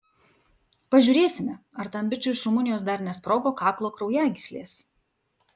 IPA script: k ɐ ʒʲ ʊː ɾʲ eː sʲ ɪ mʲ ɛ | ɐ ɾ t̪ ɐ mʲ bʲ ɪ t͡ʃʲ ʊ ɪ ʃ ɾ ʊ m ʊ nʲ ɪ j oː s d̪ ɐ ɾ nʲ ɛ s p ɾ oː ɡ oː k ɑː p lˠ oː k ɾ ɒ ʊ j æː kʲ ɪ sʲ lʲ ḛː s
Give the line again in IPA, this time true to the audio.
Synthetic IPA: p ɐ ʒʲ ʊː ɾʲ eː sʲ ɪ mʲ ɛ | ɐ ɾ t̪ ɐ mʲ bʲ ɪ t͡ʃʲ ʊ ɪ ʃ ɾ ʊ m ʊ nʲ ɪ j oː s d̪ ɐ ɾ nʲ ɛ s p ɾ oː ɡ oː k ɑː k lˠ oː k ɾ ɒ ʊ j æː ɡʲ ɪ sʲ lʲ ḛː s